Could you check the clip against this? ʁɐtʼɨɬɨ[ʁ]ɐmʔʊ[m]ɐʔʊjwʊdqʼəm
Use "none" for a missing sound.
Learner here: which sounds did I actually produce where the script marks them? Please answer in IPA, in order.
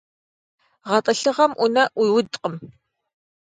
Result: ʁ, n

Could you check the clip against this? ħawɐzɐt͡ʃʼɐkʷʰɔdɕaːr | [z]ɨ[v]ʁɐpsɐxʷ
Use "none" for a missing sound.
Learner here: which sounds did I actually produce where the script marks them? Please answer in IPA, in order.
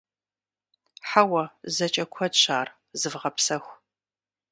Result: z, v

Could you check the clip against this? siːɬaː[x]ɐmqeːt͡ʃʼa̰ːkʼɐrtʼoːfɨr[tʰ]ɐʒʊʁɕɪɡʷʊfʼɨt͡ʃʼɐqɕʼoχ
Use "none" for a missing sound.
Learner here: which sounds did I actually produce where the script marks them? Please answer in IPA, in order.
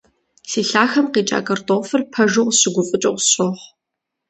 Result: x, pʰ

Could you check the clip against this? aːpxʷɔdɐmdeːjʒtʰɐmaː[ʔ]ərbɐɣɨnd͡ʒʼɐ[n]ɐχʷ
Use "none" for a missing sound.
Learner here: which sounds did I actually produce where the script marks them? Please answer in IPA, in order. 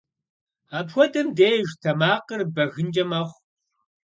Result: q, m

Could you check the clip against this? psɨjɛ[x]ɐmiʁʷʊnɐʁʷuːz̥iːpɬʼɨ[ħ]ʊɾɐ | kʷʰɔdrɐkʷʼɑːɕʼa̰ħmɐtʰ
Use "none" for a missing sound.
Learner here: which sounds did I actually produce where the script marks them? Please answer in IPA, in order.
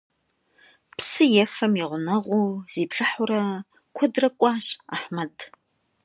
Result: f, ħ

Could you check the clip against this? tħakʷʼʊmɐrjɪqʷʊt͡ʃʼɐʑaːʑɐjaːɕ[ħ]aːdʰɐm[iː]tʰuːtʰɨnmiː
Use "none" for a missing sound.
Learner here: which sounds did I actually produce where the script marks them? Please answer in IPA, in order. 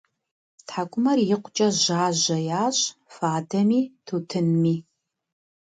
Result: f, iː

